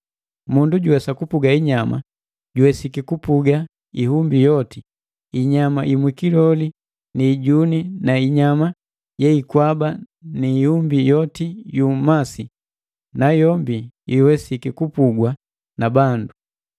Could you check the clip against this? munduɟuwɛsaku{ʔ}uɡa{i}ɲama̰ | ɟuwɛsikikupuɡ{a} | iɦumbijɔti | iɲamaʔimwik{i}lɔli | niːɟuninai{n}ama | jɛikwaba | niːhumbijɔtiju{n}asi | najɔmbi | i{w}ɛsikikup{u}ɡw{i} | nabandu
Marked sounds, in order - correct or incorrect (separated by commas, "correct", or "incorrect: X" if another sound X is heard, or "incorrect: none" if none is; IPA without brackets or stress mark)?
incorrect: p, correct, correct, correct, incorrect: ɲ, incorrect: m, correct, correct, incorrect: a